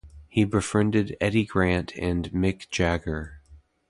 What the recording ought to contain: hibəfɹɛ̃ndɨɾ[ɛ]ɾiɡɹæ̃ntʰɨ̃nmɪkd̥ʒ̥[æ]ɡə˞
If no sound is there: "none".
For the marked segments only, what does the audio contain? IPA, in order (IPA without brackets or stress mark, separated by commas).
ɛ, æ